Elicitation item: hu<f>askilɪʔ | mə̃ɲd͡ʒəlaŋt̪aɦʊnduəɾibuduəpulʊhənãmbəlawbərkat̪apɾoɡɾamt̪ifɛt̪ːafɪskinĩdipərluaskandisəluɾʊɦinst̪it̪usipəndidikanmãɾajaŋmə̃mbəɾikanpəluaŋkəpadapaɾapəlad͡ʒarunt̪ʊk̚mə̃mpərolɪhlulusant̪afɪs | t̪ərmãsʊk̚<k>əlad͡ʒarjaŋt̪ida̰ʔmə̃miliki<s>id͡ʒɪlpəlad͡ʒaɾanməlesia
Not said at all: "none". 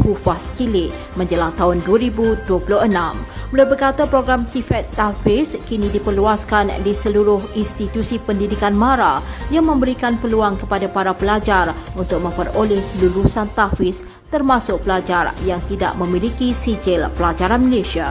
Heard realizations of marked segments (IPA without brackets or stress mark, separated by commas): f, p, s